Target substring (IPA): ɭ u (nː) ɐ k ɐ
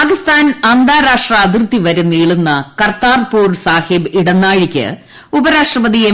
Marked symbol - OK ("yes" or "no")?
yes